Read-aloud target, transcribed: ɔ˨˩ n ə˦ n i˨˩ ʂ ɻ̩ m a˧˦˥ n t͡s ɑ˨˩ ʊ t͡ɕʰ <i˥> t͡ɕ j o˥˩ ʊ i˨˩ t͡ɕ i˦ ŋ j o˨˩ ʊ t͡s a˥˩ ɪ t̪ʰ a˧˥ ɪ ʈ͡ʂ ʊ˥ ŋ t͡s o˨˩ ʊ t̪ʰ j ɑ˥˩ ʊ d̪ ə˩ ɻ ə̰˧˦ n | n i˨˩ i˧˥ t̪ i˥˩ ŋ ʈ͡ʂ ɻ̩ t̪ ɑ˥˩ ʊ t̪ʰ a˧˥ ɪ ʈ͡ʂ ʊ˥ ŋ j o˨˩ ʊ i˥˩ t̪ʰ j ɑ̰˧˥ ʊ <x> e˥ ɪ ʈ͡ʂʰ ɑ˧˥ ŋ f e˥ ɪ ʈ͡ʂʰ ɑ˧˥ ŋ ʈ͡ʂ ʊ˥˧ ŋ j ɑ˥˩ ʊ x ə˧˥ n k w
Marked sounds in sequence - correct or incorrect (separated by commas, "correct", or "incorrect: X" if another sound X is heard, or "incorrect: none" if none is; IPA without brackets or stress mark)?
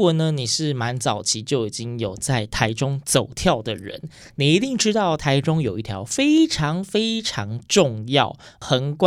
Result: incorrect: i˧˥, incorrect: f